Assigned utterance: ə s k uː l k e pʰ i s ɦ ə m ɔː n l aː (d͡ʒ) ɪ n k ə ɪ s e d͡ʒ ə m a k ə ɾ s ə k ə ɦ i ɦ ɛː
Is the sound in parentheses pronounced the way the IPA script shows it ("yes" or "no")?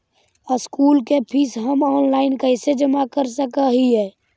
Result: no